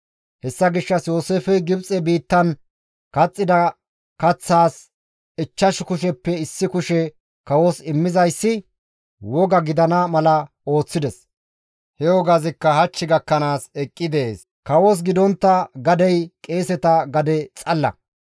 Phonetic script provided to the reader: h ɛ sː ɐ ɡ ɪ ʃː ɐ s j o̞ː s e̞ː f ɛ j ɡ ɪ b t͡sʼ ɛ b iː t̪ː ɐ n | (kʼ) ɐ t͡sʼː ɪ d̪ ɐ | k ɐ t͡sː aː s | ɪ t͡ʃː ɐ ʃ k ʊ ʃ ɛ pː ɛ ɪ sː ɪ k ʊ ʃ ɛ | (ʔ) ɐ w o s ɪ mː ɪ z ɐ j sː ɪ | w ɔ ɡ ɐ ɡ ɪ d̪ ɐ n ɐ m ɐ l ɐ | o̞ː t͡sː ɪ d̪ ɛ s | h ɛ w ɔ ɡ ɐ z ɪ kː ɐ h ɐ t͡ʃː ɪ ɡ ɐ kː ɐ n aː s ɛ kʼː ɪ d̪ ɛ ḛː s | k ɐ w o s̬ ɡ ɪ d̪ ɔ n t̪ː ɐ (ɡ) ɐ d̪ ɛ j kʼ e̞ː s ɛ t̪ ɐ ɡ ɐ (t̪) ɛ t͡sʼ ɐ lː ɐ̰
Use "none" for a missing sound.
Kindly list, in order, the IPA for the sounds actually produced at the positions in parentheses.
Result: k, k, ɡ, d̪

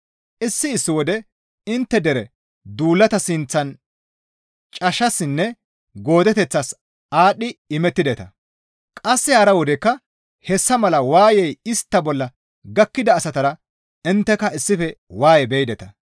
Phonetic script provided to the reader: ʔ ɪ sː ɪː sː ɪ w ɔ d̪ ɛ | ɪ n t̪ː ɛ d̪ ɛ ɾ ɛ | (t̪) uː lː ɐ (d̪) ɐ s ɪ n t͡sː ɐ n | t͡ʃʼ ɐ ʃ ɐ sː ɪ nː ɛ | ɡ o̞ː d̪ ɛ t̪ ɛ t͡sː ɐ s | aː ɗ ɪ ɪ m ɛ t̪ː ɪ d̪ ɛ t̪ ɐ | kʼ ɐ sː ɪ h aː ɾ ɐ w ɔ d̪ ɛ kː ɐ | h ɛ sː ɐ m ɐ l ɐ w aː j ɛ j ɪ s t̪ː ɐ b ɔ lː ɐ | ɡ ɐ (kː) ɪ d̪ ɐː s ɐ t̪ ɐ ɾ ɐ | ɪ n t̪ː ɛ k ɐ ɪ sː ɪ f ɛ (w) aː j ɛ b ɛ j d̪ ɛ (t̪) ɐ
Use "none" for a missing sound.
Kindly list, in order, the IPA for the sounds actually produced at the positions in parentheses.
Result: d̪, t̪, kː, w, t̪

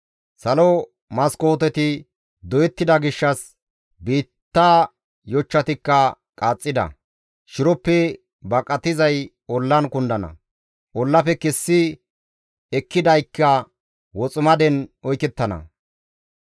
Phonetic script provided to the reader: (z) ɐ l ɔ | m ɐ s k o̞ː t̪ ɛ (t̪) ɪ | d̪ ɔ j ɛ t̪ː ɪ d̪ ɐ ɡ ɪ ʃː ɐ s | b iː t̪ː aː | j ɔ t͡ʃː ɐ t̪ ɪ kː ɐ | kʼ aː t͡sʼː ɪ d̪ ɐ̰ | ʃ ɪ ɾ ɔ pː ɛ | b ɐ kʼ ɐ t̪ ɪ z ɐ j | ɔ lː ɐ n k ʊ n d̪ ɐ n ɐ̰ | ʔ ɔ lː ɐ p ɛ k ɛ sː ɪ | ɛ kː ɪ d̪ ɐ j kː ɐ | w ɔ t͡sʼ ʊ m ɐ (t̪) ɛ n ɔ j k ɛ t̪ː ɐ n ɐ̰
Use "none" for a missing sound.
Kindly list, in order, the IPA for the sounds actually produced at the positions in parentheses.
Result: s, t̪, d̪

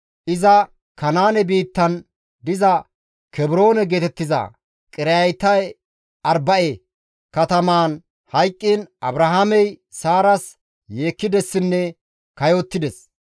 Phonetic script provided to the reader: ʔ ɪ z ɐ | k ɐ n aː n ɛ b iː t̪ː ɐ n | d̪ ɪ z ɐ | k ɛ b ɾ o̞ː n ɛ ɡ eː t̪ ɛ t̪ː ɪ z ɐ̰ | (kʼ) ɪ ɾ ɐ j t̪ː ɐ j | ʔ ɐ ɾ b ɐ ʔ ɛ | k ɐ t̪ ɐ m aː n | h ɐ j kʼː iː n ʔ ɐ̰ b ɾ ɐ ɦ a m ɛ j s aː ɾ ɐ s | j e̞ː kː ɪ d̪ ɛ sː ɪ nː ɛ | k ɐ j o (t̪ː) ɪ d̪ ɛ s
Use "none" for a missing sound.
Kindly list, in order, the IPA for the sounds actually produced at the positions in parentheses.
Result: kʼ, t̪ː

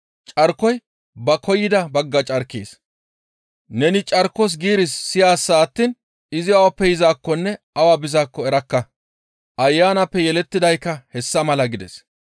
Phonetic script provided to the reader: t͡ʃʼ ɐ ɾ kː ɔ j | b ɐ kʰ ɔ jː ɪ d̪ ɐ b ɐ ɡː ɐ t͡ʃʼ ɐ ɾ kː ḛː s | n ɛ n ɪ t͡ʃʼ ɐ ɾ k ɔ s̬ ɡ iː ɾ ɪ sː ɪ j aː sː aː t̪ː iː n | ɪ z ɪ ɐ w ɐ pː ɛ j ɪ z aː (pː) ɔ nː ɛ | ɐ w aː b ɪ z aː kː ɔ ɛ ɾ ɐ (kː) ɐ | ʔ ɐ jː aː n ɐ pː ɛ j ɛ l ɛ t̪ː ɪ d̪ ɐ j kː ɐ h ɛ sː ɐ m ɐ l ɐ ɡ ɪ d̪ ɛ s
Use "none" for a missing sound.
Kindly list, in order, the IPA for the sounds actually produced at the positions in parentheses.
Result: kː, kː

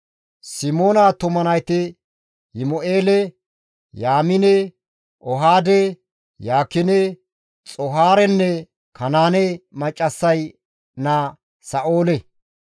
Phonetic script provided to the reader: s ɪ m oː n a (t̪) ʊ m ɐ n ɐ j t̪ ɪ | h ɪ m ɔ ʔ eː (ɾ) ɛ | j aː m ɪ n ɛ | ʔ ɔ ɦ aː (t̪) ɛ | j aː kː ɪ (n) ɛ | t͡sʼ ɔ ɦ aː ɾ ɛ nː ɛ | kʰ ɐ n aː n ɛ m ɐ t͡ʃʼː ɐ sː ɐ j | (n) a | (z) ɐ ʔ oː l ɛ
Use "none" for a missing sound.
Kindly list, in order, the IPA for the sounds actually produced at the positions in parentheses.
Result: t̪, l, d̪, n, n, s

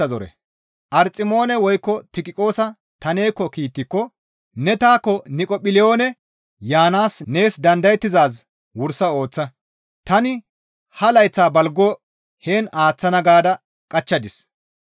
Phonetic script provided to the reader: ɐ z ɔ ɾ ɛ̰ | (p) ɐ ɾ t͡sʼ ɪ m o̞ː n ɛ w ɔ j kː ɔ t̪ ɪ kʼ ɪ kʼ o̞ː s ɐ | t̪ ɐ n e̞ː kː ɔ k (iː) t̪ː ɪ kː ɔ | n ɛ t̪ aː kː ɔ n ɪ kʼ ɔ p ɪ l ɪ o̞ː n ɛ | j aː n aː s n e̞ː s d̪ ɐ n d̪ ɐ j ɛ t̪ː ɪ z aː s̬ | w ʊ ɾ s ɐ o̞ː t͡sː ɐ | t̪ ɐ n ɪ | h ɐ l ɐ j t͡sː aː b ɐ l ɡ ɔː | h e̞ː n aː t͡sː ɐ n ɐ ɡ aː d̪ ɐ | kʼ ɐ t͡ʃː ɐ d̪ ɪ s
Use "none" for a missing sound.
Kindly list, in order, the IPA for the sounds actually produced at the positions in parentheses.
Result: ʔ, iː

